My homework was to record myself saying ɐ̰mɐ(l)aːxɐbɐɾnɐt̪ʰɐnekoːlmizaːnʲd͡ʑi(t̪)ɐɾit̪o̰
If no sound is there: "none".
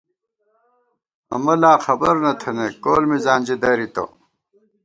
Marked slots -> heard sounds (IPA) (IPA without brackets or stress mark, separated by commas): l, d̪